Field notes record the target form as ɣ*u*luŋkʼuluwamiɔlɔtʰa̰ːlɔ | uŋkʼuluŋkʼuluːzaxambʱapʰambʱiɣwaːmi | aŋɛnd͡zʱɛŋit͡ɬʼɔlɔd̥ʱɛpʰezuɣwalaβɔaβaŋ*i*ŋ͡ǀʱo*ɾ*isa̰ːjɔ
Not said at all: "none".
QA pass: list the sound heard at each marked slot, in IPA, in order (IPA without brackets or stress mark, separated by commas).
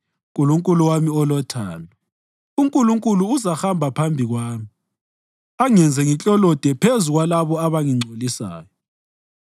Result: u, i, l